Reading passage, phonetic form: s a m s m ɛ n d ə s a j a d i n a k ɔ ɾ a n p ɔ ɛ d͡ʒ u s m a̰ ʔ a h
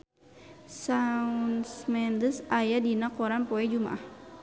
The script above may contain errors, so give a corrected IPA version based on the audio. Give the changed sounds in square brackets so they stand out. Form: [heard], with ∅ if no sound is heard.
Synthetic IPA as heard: s a [n] s m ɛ n d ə s a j a d i n a k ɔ ɾ a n p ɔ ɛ d͡ʒ u [∅] m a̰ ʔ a h